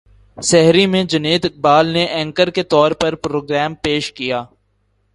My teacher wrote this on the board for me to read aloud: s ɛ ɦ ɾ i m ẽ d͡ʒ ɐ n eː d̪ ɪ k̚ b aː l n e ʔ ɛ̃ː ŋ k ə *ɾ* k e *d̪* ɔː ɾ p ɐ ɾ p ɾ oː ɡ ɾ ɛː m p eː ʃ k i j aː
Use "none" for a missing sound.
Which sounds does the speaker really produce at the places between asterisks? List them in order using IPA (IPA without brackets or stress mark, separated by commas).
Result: ɾ, t̪